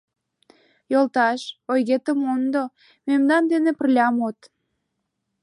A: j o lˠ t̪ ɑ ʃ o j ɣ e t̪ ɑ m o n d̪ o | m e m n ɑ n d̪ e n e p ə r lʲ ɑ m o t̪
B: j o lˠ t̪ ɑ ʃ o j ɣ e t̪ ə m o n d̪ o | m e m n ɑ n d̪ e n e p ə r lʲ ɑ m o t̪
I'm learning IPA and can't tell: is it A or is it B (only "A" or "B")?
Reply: B